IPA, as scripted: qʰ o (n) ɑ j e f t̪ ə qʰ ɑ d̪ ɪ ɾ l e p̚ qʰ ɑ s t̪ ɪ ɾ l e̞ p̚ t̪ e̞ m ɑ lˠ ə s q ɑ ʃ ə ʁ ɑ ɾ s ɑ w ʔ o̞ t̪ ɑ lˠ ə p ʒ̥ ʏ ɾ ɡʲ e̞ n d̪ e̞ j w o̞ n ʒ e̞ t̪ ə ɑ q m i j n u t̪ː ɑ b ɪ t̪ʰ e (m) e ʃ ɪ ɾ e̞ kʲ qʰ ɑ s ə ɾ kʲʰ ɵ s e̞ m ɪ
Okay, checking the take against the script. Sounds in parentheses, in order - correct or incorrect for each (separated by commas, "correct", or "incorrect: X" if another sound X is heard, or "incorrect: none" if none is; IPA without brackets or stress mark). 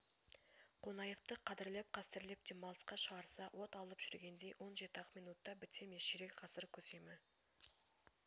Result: correct, correct